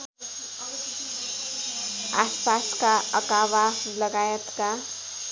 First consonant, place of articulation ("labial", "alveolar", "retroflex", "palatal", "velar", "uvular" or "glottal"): alveolar